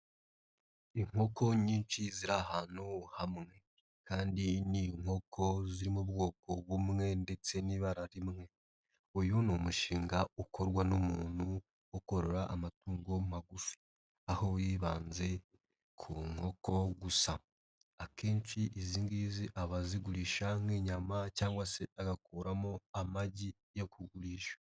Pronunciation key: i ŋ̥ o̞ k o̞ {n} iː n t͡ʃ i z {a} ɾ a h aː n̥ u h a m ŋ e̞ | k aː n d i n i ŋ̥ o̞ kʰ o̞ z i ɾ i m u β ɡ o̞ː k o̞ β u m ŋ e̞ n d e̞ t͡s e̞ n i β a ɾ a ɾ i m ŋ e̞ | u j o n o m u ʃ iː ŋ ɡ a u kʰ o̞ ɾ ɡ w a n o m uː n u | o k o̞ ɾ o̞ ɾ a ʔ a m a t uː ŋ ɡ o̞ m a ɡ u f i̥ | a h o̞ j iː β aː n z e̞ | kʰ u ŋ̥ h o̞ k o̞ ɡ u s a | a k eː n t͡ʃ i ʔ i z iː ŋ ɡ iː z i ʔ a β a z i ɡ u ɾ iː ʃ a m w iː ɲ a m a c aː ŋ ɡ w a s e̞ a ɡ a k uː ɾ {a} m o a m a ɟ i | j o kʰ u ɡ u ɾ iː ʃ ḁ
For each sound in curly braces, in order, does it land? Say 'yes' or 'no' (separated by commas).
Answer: no, no, yes